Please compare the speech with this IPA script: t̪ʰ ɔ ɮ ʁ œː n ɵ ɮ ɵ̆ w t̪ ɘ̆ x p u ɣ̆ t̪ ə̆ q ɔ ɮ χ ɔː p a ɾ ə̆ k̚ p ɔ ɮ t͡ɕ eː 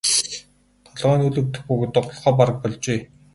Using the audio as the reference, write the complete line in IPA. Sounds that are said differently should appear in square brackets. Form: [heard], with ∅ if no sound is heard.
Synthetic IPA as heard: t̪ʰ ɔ ɮ ʁ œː n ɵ ɮ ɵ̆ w t̪ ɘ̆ x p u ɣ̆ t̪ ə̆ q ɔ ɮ χ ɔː p a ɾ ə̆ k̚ p ɔ ɮ t͡ɕ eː